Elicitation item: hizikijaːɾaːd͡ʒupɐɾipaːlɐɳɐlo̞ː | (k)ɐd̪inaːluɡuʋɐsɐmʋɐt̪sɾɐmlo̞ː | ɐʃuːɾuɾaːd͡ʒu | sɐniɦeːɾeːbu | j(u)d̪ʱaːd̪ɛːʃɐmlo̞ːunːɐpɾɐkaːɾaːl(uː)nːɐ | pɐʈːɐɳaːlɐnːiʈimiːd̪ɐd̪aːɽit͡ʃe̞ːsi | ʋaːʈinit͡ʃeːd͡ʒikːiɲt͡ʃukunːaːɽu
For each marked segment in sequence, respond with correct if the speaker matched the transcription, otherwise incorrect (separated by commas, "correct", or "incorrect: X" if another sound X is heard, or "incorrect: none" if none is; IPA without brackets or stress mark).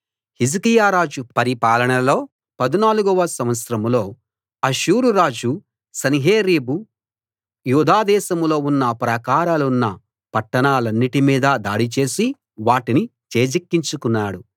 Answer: incorrect: p, incorrect: uː, incorrect: u